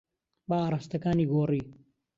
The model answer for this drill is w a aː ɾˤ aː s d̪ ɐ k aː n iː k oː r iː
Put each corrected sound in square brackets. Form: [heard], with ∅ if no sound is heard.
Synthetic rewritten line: [b] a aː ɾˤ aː s [t̪] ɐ k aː n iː [ɡ] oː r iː